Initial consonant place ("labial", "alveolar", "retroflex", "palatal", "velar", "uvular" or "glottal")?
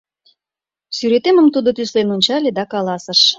alveolar